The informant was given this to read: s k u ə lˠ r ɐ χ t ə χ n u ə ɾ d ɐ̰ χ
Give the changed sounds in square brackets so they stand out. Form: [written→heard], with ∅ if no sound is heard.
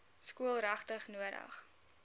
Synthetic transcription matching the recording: s k u ə lˠ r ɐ χ t ə χ n u ə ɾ d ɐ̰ χ